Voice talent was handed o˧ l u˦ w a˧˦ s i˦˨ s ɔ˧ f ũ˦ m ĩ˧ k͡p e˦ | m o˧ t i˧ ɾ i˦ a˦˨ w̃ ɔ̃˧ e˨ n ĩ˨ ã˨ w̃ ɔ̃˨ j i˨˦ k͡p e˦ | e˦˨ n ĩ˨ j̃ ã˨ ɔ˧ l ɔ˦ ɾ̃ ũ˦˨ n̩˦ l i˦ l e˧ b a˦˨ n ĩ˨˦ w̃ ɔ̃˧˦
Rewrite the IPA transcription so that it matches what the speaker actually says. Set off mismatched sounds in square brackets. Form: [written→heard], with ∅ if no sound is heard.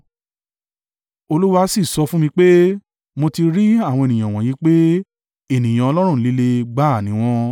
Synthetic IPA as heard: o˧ l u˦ w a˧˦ s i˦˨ s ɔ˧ f ũ˦ m ĩ˧ k͡p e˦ | m o˧ t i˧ ɾ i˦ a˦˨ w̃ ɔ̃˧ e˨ n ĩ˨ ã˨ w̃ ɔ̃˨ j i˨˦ k͡p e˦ | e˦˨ n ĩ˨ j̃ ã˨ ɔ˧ l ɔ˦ ɾ̃ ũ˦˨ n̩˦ l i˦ l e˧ [b→ɡ͡b] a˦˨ n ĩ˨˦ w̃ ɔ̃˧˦